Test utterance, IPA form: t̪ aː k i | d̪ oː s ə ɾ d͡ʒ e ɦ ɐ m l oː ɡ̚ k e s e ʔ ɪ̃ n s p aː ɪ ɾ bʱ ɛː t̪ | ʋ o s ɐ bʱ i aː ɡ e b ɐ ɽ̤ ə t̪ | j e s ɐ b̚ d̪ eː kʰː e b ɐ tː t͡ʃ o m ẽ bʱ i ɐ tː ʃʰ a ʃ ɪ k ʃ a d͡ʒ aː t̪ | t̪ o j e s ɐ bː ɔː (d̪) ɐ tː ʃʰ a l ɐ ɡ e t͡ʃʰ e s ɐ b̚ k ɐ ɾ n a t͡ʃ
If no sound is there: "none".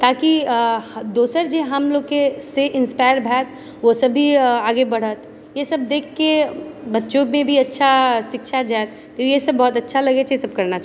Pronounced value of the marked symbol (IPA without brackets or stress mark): t̪